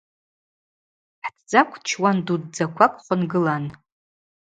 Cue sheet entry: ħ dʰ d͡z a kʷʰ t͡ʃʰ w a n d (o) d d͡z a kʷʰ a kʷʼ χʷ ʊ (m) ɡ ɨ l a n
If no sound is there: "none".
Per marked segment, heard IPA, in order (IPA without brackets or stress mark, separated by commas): u, n